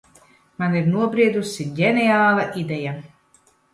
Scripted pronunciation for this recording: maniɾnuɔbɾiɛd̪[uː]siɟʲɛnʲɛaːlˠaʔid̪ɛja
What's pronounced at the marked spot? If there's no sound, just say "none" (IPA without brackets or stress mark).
u